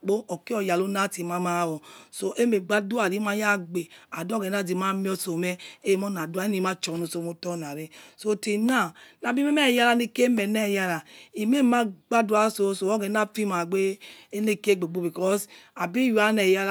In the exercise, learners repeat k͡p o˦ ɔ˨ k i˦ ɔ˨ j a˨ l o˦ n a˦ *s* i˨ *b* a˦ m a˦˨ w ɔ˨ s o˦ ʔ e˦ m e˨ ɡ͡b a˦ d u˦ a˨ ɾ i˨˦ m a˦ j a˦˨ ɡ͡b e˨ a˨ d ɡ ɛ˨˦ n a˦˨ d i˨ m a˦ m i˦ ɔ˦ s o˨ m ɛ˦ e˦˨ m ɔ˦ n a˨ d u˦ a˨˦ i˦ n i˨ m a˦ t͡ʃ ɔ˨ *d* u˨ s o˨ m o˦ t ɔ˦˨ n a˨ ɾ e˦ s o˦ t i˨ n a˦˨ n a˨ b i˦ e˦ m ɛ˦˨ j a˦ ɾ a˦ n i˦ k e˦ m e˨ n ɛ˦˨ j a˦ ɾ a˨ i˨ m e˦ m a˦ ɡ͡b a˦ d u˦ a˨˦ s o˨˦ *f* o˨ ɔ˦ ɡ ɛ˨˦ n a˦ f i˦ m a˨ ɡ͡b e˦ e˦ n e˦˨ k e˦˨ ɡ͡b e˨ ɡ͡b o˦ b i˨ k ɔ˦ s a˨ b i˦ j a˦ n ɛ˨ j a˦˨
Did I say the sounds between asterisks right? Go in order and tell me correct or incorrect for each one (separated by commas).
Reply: incorrect, incorrect, incorrect, incorrect